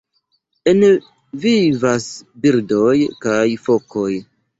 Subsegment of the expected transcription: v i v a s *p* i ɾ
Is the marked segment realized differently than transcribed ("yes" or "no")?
yes